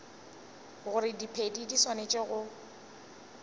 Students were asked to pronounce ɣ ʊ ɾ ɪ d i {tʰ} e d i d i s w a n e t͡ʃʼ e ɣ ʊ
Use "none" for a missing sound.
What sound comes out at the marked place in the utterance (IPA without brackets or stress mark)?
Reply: pʰ